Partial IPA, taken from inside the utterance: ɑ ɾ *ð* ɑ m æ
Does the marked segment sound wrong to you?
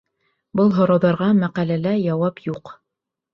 yes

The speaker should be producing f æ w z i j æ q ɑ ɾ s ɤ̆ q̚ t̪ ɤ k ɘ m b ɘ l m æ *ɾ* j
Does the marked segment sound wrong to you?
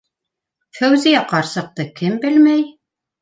yes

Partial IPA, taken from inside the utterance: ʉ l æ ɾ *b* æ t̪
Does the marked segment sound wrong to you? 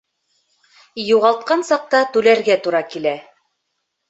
yes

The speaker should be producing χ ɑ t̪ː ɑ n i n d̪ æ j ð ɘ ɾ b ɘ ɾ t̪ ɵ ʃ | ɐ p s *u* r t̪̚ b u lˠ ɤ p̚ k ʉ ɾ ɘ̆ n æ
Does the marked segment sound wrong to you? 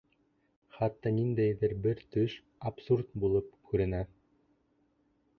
no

